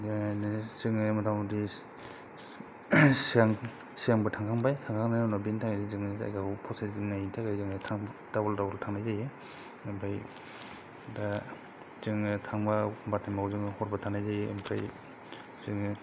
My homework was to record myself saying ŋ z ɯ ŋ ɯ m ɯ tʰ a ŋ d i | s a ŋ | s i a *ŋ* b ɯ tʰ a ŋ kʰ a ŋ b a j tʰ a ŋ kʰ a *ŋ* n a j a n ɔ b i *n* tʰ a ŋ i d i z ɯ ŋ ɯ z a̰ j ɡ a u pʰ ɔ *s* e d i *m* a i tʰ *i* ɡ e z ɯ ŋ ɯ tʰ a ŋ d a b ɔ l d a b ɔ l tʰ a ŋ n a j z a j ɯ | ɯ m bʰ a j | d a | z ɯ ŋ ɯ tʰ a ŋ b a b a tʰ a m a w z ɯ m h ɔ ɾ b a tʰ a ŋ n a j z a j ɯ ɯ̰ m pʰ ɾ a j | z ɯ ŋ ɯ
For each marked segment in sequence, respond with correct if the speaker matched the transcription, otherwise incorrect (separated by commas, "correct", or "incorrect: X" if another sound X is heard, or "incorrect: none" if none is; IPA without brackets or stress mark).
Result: correct, correct, correct, correct, incorrect: n, incorrect: a